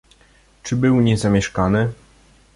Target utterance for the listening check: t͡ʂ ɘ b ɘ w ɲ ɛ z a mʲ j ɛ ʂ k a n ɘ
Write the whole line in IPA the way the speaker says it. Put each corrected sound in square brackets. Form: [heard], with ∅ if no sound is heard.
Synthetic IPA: t͡ʂ ɘ b ɘ w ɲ ɛ z a mʲ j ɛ ʂ k a n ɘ

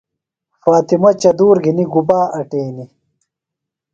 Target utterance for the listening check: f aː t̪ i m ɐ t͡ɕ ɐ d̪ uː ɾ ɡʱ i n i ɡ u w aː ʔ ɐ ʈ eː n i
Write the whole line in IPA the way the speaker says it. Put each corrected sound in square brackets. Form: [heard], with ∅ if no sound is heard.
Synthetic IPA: f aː t̪ i m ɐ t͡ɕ ɐ d̪ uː ɾ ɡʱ i n i ɡ u [b] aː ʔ ɐ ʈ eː n i

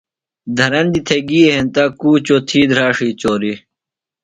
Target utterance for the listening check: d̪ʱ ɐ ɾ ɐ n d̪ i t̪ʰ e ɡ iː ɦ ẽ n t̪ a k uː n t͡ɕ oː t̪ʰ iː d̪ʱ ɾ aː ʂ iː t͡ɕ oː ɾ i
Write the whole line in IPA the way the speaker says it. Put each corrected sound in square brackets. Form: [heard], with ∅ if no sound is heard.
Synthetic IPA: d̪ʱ ɐ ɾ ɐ n d̪ i t̪ʰ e ɡ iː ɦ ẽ n t̪ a k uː [∅] t͡ɕ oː t̪ʰ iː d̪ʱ ɾ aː ʂ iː t͡ɕ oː ɾ i

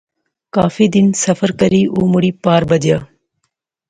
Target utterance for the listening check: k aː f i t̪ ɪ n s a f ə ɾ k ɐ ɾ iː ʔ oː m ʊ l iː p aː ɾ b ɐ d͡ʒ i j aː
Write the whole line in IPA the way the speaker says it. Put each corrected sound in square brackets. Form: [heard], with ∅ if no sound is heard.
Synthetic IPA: k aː f i [d̪] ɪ n s [ɐ] f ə ɾ k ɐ ɾ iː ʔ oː m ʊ [ɽ] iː p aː ɾ b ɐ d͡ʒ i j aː

